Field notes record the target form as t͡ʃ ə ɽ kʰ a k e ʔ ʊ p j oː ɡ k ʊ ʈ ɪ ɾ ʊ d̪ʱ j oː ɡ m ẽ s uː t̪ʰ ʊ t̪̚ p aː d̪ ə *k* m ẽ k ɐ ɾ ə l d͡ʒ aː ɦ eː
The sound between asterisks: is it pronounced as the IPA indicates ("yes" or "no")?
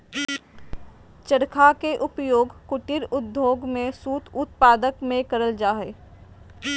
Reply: yes